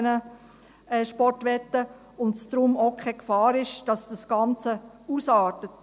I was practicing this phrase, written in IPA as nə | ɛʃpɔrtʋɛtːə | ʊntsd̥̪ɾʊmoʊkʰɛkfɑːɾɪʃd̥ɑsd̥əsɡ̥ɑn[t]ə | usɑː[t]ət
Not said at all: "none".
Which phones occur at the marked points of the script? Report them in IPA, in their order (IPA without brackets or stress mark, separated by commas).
t͡s, t